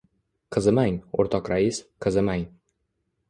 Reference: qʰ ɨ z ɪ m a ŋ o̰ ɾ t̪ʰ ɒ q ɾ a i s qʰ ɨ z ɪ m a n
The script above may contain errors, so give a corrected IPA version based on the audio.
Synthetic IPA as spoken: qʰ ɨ z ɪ m a ŋ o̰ ɾ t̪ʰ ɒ q ɾ a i s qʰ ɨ z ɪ m a ŋ